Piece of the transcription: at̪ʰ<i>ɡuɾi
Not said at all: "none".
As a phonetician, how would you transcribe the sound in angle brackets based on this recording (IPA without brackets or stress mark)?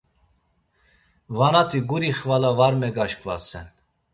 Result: i